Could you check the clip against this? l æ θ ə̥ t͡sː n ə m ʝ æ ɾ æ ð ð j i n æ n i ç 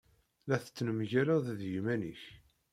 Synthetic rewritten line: l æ θ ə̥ t͡sː n ə m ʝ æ ɾ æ ð ð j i m æ n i ç